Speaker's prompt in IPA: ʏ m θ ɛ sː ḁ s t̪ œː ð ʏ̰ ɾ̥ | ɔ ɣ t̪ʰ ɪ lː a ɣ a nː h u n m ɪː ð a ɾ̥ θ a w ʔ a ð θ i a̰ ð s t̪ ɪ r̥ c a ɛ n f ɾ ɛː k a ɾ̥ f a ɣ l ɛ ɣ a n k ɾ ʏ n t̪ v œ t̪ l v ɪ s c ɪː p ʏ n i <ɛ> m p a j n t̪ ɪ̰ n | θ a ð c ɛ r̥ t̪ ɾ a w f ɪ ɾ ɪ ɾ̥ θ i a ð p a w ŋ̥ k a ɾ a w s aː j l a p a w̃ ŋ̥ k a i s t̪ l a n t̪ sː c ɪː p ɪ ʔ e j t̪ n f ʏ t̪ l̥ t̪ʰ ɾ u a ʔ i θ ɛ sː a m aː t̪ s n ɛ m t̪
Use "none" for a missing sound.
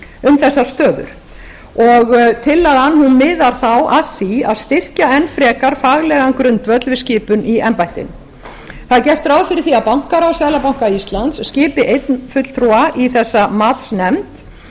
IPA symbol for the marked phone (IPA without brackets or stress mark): ɛ